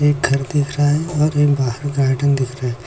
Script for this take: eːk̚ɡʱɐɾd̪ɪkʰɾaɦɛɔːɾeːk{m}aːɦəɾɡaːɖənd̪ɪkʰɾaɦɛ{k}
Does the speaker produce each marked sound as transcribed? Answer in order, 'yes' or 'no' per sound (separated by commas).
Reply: no, no